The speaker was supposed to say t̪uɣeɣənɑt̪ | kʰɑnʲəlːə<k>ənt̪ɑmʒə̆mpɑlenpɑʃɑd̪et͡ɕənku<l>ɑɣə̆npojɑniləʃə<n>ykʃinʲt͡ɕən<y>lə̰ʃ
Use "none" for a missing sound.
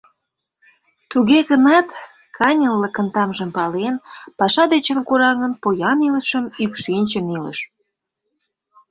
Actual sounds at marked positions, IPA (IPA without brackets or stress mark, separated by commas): k, ɾ, m, i